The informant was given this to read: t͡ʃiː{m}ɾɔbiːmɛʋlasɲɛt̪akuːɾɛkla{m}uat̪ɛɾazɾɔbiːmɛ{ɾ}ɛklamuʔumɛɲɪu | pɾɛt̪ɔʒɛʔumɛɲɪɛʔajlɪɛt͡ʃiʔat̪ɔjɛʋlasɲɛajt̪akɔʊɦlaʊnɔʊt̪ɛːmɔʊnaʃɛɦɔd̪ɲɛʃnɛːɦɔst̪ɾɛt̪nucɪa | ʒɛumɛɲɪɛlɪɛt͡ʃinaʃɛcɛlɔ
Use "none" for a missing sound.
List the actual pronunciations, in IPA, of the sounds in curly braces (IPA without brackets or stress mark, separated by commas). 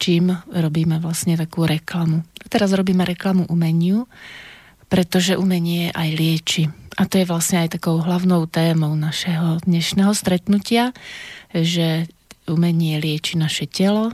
m, m, ɾ